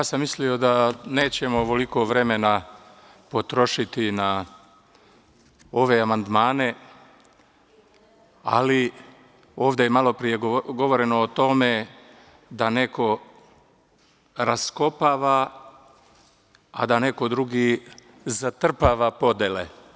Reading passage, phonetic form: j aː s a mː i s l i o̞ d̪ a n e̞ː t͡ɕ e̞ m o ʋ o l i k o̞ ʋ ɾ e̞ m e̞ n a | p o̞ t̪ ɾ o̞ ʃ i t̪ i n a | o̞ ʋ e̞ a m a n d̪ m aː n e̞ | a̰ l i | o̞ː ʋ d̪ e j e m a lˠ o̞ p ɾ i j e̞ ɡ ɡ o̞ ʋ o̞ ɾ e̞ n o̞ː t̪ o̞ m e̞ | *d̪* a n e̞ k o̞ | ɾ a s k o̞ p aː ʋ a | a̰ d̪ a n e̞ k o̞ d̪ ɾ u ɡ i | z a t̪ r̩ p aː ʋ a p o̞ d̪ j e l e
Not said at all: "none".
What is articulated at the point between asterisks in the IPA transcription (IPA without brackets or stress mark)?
d̪